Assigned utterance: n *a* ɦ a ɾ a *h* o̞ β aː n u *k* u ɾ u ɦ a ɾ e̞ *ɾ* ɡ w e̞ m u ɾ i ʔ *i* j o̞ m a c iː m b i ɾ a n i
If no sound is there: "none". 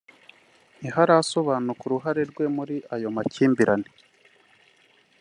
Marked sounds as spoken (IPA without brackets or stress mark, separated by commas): i, s, k, ɾ, a